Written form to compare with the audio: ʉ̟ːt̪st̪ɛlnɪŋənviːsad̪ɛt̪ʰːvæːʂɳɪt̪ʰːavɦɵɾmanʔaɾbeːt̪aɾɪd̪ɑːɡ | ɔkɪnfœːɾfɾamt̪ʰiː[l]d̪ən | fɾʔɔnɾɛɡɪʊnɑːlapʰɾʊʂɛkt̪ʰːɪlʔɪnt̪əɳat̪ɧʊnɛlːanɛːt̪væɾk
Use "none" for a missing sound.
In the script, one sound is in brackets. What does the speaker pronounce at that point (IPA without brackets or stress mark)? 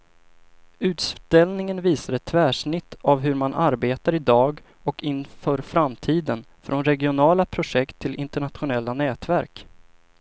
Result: none